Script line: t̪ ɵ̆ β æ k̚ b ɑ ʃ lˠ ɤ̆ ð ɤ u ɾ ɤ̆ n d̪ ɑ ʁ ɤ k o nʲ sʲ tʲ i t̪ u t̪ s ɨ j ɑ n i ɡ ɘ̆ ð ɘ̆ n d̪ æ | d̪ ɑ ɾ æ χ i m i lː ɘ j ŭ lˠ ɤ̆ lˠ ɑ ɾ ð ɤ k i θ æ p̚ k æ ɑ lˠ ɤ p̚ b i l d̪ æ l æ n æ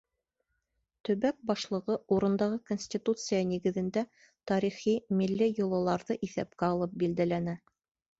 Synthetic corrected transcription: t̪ ɵ̆ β æ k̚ b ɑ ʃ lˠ ɤ̆ ʁ ɤ u ɾ ɤ̆ n d̪ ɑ ʁ ɤ k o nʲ sʲ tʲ i t̪ u t̪ s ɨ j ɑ n i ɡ ɘ̆ ð ɘ̆ n d̪ æ | t̪ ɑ ɾ i χ i m i lː ɘ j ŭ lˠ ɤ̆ lˠ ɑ ɾ ð ɤ ʔ i θ æ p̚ k æ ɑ lˠ ɤ p̚ b i l d̪ æ l æ n æ